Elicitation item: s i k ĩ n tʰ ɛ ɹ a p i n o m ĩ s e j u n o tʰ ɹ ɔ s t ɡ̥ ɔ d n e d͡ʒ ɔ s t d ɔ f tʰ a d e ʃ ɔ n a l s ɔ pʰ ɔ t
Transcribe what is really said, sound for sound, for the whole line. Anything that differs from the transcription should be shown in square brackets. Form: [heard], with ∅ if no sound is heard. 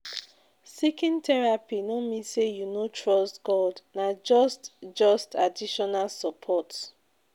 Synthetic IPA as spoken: s i k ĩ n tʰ ɛ ɹ a p i n o m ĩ s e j u n o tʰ ɹ ɔ s t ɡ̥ ɔ d n [a] d͡ʒ ɔ s t [d͡ʒ] ɔ [s] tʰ a d [i] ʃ ɔ n a l s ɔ pʰ ɔ t

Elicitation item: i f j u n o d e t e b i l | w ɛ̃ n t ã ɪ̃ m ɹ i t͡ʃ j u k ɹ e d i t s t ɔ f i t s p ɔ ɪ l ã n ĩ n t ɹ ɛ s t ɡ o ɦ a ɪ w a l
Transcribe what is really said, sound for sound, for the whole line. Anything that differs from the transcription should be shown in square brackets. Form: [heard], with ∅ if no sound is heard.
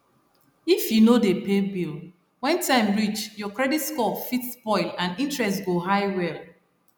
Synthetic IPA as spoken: i f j u n o d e [p] e b i l | w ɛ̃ n t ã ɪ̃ m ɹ i t͡ʃ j [ɔ] k ɹ [ɛ] d i t s [k] ɔ f i t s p ɔ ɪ l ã n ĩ n t ɹ ɛ s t ɡ o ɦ a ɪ w [ɛ] l

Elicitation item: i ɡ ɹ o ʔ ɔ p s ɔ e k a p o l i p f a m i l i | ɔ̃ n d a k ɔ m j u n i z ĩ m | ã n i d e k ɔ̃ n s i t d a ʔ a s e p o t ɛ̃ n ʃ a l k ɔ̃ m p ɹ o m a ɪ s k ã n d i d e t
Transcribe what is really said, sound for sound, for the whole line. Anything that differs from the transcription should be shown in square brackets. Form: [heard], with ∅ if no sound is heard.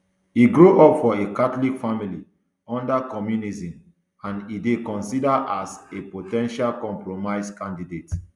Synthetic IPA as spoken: i ɡ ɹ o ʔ ɔ p [f] ɔ e k a [t] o l i [k] f a m i l i | ɔ̃ n d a k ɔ m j u n i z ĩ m | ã n i d e k ɔ̃ n s i [∅] d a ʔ a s e p o t ɛ̃ n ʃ a l k ɔ̃ m p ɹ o m a ɪ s k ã n d i d e t

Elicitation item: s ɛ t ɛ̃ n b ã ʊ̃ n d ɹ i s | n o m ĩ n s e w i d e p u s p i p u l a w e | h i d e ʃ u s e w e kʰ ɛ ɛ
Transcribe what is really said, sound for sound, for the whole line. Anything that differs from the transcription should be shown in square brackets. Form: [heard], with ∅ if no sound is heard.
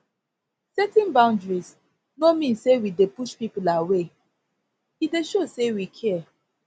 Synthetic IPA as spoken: s ɛ t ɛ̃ n b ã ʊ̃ n d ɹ i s | n o m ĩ n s e w i d e p u [ʃ] p i p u l a w e | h i d e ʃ [o] s e w [i] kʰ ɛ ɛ

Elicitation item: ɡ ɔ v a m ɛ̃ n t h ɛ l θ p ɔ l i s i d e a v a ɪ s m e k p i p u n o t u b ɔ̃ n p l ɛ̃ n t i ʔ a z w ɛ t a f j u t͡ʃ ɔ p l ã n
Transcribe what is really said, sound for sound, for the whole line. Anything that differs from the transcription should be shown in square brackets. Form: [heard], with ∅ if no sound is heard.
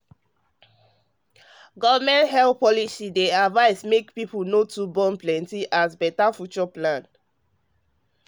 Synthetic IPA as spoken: ɡ ɔ v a m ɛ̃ n t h ɛ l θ p ɔ l i s i d e a v a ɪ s m e k p i p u n o t u b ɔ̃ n p l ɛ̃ n t i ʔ a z [b] ɛ t a f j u t͡ʃ ɔ p l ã n

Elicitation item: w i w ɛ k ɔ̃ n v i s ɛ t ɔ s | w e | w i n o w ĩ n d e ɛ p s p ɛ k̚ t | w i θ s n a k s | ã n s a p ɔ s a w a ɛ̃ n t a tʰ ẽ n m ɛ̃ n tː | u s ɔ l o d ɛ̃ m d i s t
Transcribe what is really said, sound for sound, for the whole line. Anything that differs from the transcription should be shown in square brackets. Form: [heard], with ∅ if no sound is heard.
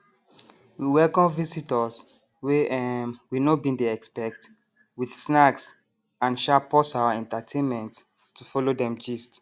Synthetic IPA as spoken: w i w ɛ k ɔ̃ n v i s [i] t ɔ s | w e | w i n o [b] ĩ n d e ɛ [k] s p ɛ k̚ t | w i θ s n a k s | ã n [ʃ] a p ɔ s a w a ɛ̃ n t a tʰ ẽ n m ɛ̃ n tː | u [f] ɔ l o d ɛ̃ m [d͡ʒ] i s t

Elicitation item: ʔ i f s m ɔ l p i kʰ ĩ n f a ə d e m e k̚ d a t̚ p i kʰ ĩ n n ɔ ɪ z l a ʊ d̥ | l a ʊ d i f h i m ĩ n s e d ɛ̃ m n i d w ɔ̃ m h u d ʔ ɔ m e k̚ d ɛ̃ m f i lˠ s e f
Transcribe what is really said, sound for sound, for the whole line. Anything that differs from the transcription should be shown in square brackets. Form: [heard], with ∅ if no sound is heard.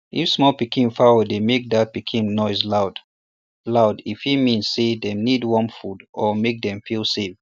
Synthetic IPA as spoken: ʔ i f s m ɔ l p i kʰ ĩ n f a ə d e m e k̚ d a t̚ p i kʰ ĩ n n ɔ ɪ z l a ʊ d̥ | l a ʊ d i f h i m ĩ n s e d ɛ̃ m n i d w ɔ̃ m [f] u d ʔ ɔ m e k̚ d ɛ̃ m f i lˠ s e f

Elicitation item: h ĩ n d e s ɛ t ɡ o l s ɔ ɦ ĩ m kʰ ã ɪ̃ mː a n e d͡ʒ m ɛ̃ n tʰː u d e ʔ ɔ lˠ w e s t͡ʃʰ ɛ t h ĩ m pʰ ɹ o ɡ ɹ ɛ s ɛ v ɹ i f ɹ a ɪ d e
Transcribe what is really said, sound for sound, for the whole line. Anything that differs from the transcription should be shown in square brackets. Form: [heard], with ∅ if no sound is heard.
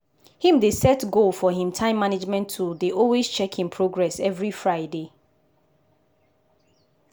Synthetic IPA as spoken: h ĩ [m] d e s ɛ t ɡ o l [f] ɔ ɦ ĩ m [tʰ] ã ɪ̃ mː a n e d͡ʒ m ɛ̃ n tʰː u d e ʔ ɔ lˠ w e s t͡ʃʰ ɛ [k] h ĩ m pʰ ɹ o ɡ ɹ ɛ s ɛ v ɹ i f ɹ a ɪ d e

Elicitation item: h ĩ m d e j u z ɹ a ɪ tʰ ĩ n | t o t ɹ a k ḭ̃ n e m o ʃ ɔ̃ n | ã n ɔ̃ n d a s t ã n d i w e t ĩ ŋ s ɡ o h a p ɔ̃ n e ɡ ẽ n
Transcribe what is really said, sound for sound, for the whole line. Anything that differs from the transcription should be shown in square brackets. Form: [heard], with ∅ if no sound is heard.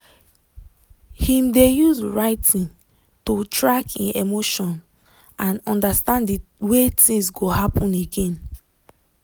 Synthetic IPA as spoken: h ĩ m d e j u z ɹ a ɪ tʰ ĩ n | t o t ɹ a k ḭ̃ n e m o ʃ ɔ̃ n | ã n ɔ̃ n d a s t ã n d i w e t ĩ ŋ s ɡ o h a p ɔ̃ n e ɡ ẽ n

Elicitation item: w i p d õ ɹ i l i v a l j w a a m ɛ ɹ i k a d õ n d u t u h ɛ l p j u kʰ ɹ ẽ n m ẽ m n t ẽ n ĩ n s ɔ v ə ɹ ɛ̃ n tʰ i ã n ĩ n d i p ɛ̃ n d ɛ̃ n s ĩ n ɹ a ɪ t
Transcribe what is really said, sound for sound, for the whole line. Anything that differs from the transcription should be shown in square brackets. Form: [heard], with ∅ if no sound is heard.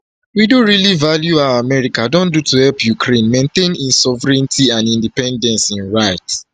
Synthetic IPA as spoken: w i [∅] d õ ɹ i l i v a l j [u] a a m ɛ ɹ i k a d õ n d u t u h ɛ l p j u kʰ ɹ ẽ n m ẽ [∅] n t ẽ n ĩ n s ɔ v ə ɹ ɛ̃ n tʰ i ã n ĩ n d i p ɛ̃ n d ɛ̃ n s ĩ n ɹ a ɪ t

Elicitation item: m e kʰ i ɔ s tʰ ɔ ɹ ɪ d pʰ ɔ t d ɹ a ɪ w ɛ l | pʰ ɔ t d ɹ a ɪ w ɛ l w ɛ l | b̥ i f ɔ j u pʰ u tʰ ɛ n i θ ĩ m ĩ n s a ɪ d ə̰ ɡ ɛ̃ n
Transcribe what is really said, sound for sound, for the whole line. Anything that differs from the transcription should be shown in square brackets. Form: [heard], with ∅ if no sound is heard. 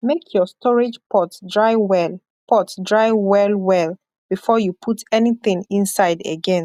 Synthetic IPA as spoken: m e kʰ [j] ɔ s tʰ ɔ ɹ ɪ [d͡ʒ] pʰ ɔ t d ɹ a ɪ w ɛ l | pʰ ɔ t d ɹ a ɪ w ɛ l w ɛ l | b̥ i f ɔ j u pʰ u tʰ ɛ n i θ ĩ [ŋ] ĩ n s a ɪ d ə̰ ɡ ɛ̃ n

